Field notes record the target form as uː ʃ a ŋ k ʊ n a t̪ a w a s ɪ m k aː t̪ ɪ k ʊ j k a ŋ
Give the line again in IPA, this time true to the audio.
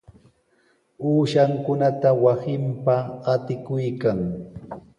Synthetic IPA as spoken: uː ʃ a ŋ k ʊ n a t̪ a w a s ɪ m p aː t̪ ɪ k ʊ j k a ŋ